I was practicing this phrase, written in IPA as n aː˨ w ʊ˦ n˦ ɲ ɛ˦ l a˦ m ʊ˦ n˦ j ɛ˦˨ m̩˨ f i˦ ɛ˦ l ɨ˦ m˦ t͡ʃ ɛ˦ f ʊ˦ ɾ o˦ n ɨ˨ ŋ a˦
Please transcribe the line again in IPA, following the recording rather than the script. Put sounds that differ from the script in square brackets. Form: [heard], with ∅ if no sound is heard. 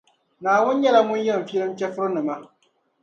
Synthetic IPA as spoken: n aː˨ w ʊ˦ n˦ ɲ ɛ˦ l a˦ m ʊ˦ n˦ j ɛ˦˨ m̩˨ f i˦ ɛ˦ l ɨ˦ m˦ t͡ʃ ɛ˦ f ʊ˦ ɾ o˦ n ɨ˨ [m] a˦